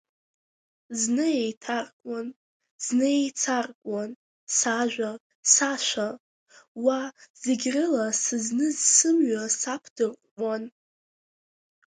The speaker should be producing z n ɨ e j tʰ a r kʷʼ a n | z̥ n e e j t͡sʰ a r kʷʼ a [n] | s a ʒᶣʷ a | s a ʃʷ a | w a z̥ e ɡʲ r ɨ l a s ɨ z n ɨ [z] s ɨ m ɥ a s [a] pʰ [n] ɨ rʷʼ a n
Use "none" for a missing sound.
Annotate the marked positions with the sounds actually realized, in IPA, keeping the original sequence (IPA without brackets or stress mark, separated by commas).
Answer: n, z, a, d